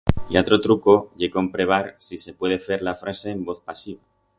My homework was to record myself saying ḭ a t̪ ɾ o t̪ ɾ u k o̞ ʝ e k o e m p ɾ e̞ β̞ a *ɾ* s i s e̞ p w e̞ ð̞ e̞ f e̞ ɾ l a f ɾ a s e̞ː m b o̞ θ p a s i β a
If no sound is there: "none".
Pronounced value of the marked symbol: ɾ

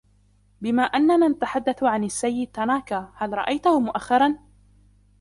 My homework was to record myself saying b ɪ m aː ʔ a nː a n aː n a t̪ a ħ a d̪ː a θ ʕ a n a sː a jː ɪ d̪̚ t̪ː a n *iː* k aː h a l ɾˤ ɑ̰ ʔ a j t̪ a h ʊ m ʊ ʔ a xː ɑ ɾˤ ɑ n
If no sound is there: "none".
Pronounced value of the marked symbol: aː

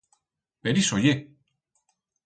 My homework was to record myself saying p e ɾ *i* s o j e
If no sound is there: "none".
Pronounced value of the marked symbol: i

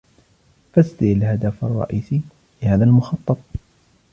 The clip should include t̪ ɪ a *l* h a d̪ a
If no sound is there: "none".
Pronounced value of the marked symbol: l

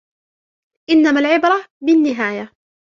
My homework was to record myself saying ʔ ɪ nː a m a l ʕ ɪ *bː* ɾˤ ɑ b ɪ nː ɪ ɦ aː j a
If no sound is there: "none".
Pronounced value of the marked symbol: b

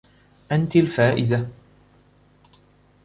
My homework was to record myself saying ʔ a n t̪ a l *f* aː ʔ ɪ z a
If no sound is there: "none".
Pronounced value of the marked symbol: f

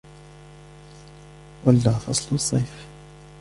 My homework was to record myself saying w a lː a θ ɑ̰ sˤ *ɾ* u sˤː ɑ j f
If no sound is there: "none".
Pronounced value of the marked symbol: l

